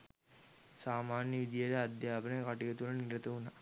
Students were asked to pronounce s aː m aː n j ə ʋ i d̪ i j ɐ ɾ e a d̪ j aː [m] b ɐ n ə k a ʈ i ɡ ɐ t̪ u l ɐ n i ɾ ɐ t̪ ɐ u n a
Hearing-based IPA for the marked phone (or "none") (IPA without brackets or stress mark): none